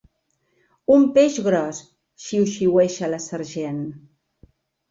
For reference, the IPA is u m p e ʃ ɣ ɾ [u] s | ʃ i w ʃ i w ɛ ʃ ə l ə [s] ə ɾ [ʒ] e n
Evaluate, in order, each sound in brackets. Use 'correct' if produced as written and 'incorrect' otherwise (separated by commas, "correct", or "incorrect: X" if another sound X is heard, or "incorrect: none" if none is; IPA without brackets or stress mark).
incorrect: ɔ, correct, correct